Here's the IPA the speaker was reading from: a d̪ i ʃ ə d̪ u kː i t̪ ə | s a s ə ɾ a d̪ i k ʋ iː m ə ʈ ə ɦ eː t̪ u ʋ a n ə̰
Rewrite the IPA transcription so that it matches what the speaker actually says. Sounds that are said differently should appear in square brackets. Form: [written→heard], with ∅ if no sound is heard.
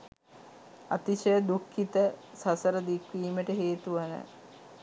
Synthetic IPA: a [d̪→t̪] i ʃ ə d̪ u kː i t̪ ə | s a s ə ɾ [a→ə] d̪ i k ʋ iː m ə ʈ ə ɦ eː t̪ u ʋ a n ə̰